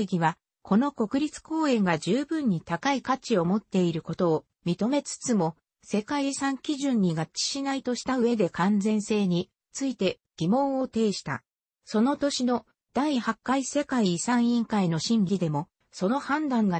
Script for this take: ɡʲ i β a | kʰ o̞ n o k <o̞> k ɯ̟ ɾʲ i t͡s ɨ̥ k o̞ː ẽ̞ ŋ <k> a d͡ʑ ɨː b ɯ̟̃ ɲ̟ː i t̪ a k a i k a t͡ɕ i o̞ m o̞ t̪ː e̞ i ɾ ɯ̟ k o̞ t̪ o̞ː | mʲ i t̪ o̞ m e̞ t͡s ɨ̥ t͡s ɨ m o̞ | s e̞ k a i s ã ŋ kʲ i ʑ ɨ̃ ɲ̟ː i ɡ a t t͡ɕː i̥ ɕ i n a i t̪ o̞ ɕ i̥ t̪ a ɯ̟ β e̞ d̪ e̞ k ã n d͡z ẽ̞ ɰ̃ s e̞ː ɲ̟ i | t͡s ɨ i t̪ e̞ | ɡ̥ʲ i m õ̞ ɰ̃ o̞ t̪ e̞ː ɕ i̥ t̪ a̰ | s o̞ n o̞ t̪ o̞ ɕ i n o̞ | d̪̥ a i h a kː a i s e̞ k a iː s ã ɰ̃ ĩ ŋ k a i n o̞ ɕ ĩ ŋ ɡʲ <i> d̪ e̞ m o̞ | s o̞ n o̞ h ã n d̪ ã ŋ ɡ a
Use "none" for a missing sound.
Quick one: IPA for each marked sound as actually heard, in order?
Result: o̞, ɡ, i

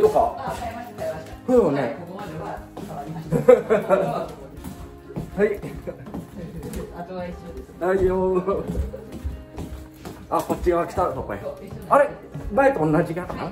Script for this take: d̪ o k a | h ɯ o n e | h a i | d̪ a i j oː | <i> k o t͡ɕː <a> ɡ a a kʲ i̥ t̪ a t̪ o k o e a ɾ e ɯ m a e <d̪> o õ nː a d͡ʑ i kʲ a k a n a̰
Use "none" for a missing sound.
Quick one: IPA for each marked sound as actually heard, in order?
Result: a, i, t̪

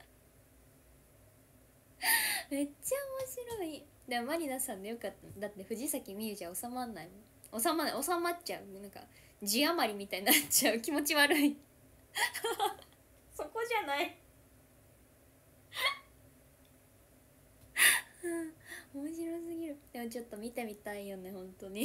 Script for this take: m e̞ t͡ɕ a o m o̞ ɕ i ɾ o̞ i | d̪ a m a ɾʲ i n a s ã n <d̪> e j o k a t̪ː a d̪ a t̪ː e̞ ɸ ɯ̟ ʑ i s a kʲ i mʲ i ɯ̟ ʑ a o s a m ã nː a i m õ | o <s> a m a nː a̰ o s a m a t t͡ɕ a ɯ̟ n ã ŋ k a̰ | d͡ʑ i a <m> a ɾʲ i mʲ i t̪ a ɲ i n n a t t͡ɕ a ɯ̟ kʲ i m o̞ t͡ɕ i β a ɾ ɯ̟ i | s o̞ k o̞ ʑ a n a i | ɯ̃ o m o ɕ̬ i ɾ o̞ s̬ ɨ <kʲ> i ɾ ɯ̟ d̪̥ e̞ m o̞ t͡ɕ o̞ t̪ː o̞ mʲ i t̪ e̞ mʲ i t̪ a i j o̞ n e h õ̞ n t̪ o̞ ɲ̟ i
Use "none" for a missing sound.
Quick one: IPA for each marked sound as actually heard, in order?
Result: d̪, s, m, ɡʲ

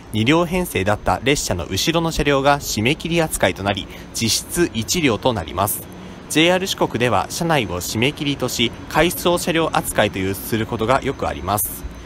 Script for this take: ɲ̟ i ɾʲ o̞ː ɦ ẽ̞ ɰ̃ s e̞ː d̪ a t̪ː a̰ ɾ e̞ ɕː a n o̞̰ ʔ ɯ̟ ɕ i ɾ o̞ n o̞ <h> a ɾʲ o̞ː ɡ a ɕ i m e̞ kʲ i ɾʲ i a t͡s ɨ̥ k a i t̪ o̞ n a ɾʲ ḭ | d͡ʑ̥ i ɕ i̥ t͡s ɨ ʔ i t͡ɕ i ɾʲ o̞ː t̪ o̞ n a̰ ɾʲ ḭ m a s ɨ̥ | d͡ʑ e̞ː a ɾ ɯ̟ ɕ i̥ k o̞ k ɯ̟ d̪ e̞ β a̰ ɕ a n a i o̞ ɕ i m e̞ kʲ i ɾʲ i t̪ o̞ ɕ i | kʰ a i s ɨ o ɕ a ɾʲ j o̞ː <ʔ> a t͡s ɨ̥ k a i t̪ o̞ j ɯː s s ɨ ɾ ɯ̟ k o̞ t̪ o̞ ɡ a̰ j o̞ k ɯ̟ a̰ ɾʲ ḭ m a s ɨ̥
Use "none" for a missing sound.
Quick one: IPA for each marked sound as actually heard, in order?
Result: ɕ, ʔ

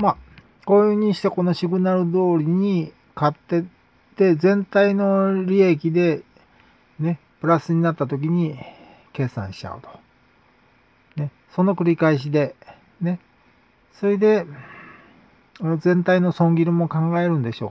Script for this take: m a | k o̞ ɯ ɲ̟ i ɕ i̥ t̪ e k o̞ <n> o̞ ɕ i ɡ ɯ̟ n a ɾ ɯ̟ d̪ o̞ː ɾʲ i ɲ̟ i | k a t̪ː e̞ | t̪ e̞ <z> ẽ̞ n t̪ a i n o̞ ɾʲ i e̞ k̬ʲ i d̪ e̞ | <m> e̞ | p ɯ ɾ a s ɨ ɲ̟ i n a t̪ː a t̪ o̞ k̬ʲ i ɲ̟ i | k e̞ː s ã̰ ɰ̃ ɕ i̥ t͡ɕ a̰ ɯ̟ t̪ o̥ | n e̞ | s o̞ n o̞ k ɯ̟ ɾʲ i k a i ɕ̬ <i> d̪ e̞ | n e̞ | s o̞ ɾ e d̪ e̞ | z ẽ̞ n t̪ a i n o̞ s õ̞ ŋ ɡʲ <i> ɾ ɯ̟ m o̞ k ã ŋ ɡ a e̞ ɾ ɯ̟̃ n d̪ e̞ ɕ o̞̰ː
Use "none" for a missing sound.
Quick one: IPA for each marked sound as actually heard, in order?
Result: n, z, n, i, i

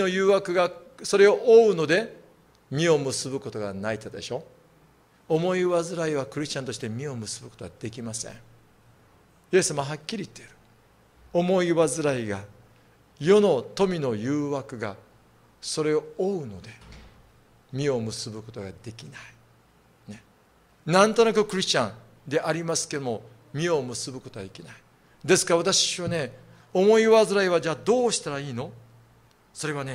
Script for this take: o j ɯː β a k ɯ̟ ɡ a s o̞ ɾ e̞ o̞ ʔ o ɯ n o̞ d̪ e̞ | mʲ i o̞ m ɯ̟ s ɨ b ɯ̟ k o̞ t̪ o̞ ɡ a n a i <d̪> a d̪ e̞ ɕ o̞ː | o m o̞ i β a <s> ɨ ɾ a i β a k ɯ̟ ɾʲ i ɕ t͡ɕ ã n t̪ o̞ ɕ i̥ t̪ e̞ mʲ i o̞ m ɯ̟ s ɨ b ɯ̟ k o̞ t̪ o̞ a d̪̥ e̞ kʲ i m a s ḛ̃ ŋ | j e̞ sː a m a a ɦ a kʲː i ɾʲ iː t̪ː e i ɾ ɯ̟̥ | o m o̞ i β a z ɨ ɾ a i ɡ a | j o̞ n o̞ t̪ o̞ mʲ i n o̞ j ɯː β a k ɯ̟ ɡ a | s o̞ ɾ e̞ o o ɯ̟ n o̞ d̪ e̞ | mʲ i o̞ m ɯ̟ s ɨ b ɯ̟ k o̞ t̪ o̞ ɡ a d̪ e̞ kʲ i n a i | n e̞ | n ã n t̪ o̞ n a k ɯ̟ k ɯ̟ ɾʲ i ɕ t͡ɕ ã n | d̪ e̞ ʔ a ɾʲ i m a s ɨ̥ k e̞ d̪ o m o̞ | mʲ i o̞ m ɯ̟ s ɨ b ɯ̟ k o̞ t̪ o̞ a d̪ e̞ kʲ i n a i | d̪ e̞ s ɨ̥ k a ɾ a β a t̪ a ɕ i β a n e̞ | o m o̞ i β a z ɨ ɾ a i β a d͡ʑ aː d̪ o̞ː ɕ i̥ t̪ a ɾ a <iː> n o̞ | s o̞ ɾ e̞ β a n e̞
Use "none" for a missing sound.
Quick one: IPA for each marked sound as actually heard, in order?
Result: t̪, z, iː

